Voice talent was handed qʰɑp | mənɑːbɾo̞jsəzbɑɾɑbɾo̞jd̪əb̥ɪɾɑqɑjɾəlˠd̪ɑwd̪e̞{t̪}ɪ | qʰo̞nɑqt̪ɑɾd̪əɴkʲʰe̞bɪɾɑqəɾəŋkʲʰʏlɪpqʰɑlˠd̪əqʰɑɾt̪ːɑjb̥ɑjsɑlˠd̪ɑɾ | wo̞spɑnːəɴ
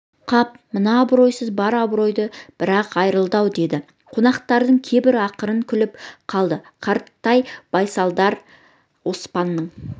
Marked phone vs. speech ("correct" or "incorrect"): incorrect